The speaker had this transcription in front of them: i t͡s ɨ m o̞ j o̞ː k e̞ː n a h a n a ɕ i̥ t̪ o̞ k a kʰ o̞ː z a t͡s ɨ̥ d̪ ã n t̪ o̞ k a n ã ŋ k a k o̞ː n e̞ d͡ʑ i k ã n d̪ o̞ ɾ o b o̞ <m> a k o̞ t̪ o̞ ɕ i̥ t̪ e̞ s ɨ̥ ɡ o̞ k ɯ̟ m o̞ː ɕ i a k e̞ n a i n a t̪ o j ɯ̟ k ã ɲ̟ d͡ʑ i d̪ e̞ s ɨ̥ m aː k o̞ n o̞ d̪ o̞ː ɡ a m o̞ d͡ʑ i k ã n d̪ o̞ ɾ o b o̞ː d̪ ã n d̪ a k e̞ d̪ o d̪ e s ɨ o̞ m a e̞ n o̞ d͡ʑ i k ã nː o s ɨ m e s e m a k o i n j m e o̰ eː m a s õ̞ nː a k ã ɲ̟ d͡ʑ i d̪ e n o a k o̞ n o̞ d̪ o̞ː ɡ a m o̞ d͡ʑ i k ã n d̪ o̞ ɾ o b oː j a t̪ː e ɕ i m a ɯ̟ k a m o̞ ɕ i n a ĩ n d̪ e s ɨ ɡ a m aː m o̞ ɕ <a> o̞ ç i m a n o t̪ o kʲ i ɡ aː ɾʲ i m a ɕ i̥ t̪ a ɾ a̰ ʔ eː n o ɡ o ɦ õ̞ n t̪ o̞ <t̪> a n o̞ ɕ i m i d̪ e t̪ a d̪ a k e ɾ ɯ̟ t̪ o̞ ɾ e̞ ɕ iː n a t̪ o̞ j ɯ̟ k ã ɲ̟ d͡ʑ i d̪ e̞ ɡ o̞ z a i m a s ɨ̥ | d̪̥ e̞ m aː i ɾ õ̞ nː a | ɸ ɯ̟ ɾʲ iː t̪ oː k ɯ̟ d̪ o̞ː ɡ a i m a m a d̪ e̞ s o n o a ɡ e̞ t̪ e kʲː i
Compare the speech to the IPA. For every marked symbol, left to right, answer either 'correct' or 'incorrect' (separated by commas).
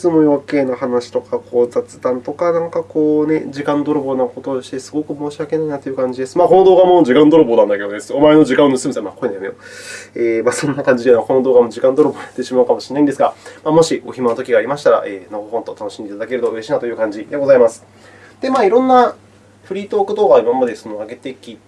incorrect, incorrect, correct